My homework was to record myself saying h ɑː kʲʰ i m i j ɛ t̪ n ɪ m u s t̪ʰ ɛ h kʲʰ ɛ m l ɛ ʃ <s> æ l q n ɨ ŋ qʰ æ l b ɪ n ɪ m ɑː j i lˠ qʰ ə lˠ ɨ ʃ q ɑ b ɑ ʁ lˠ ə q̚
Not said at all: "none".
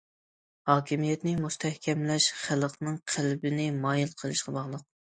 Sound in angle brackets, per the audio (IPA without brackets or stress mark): χ